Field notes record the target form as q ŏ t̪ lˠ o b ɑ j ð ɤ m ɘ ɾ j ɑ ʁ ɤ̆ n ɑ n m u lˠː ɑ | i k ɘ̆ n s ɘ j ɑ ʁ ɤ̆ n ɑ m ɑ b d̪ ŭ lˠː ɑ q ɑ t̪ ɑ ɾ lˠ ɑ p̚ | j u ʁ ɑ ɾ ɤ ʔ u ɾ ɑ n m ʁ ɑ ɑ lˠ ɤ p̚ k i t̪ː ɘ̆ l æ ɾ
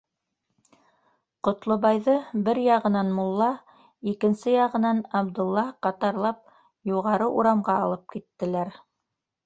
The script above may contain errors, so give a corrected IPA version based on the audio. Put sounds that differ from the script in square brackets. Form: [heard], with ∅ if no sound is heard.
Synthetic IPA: q ŏ t̪ lˠ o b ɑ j ð ɤ [b] ɘ ɾ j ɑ ʁ ɤ̆ n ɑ n m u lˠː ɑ | i k ɘ̆ n s ɘ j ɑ ʁ ɤ̆ n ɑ [n] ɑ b d̪ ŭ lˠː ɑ q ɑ t̪ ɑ ɾ lˠ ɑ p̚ | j u ʁ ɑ ɾ ɤ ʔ u ɾ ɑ [∅] m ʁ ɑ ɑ lˠ ɤ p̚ k i t̪ː ɘ̆ l æ ɾ